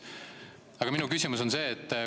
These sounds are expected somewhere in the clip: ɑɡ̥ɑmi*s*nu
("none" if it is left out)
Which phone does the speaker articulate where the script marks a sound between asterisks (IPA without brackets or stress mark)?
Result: none